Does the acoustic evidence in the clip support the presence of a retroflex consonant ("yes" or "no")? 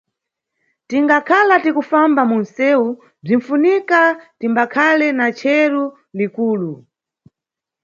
yes